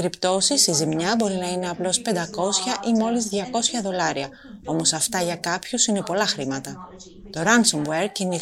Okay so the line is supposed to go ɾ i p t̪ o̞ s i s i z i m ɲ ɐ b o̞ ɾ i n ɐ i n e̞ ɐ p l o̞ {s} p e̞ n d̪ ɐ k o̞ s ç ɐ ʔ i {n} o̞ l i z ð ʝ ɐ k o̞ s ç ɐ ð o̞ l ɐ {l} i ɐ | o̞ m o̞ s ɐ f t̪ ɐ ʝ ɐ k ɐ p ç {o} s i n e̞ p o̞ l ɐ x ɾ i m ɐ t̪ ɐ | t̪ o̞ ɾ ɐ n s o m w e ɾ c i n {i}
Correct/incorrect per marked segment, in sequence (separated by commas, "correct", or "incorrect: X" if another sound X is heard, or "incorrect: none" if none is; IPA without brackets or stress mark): correct, incorrect: m, incorrect: ɾ, incorrect: u, correct